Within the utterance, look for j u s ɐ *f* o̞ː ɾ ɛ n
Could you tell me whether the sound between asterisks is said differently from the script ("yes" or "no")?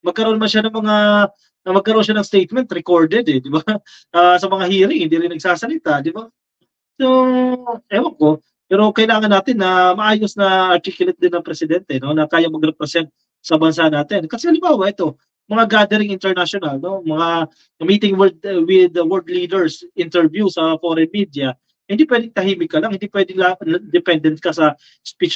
no